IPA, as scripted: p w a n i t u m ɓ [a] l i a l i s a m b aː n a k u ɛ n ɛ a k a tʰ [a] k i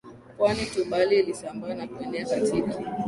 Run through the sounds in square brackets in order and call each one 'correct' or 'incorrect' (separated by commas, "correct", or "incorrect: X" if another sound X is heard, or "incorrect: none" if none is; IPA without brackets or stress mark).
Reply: correct, incorrect: i